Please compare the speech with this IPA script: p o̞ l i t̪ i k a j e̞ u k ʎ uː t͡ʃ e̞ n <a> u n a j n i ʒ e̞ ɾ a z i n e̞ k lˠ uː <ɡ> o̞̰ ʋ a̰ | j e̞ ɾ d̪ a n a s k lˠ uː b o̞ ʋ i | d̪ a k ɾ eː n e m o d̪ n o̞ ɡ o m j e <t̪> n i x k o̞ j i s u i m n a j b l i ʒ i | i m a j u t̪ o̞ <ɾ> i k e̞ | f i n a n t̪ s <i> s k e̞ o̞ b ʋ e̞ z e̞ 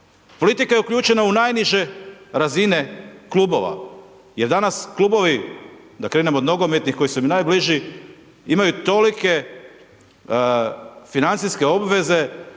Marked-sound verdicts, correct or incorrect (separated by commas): correct, incorrect, correct, incorrect, correct